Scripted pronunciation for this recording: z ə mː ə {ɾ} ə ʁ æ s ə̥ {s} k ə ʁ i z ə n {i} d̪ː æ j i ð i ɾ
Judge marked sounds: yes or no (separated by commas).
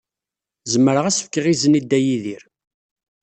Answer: yes, no, yes